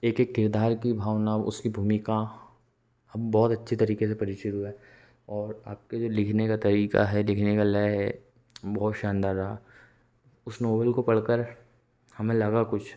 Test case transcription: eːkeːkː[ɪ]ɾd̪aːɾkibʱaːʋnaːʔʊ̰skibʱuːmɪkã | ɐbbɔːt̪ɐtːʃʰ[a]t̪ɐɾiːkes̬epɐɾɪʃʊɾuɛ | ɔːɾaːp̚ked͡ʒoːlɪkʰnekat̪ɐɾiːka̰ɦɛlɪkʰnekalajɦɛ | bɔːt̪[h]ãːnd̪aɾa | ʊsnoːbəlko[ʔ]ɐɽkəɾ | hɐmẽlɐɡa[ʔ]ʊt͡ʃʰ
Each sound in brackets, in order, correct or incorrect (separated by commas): correct, incorrect, incorrect, incorrect, incorrect